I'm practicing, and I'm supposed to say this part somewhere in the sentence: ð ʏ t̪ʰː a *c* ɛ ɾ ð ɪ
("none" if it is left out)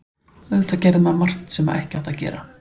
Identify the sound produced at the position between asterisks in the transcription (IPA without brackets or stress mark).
c